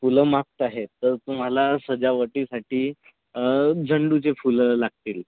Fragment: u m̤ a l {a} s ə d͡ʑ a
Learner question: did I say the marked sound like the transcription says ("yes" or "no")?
yes